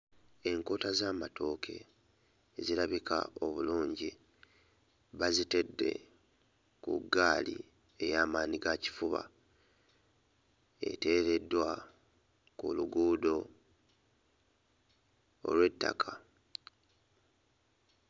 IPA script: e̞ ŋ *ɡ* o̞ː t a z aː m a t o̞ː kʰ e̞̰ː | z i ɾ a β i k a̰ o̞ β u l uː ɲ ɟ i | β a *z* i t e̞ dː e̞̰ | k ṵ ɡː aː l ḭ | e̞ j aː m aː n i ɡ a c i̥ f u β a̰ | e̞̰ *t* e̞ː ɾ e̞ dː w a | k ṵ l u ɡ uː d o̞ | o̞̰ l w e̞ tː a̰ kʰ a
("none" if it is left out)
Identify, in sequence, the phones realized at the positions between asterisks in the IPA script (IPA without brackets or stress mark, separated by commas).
k, z, t